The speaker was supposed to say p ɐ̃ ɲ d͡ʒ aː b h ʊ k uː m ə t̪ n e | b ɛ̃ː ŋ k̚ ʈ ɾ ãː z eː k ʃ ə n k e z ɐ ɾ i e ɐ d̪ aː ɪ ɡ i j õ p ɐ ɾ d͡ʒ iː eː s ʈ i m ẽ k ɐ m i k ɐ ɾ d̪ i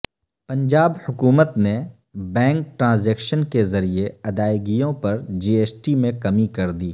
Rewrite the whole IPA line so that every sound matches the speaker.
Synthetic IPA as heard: p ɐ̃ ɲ d͡ʒ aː b h ʊ k uː m ə t̪ n e | b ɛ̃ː ŋ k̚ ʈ ɾ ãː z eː k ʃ ə n k e z ɐ ɾ i e ɐ d̪ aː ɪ ɡ i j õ p ɐ ɾ d͡ʒ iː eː s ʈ i m ẽ k ɐ m i k ɐ ɾ d̪ iː